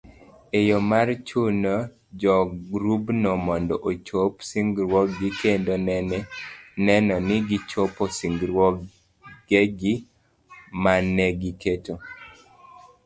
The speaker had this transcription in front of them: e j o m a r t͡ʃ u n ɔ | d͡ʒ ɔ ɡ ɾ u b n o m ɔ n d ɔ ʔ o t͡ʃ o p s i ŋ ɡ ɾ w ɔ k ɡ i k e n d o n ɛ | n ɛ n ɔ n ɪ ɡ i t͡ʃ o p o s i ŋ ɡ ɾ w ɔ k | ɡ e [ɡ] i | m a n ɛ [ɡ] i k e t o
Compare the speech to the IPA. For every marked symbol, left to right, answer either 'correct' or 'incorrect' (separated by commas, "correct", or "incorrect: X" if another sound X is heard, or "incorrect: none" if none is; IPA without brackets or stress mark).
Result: correct, correct